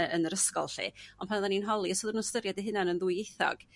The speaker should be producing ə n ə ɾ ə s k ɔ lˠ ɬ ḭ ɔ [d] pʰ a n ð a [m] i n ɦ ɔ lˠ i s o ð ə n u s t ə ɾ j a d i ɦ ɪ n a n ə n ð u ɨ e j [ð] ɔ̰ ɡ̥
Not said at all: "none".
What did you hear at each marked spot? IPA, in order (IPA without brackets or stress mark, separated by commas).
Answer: n, n, θ